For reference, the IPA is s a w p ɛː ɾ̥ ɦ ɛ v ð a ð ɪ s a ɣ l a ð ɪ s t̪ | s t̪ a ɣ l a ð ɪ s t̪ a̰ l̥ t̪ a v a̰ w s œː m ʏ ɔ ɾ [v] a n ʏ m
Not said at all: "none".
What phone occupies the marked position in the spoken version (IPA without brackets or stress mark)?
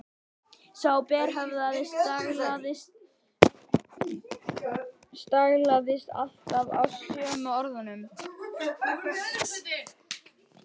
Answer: ð